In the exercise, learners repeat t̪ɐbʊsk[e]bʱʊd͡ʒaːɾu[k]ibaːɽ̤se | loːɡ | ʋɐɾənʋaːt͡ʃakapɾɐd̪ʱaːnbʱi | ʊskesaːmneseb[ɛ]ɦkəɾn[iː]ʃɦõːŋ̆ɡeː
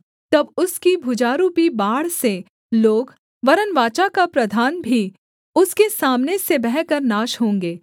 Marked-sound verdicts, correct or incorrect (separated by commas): incorrect, incorrect, correct, incorrect